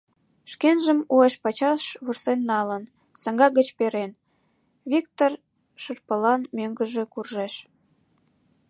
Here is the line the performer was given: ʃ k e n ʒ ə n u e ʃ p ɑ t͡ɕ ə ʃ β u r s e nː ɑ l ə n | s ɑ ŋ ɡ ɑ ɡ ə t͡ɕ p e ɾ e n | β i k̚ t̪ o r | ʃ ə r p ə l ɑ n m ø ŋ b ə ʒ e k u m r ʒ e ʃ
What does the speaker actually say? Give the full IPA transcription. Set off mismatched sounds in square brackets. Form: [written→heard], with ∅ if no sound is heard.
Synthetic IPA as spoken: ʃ k e n ʒ ə [n→m] u e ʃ p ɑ t͡ɕ [ə→ɑ] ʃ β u r s e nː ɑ l ə n | s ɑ ŋ ɡ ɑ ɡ ə t͡ɕ p e ɾ e n | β i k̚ t̪ o r | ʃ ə r p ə l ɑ n m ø ŋ [b→ɡ] ə ʒ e k u [m→∅] r ʒ e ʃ